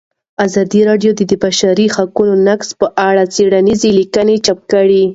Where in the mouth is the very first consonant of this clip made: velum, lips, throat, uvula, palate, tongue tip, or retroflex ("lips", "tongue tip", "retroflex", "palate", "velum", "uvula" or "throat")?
tongue tip